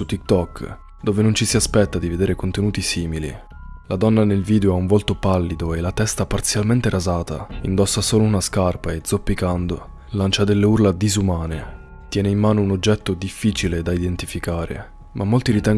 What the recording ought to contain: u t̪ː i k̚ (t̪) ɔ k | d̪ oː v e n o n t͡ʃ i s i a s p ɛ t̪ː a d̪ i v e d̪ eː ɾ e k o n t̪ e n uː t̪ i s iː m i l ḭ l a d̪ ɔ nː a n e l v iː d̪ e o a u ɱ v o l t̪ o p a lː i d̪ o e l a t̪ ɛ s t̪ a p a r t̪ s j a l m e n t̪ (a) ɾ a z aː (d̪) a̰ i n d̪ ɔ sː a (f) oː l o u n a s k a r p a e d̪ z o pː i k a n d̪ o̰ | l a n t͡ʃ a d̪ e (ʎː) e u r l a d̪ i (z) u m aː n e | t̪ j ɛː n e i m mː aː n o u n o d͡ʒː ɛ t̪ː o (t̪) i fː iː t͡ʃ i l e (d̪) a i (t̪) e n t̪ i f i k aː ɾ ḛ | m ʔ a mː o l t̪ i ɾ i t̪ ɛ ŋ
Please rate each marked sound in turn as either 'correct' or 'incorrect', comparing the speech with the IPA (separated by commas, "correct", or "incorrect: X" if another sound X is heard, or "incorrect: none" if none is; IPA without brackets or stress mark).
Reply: correct, incorrect: e, incorrect: t̪, incorrect: s, incorrect: lː, correct, incorrect: d̪, correct, incorrect: d̪